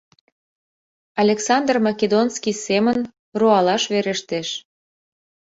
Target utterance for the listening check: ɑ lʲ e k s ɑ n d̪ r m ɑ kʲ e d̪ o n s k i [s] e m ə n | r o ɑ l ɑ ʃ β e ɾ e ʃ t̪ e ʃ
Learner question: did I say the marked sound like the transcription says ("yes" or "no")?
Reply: yes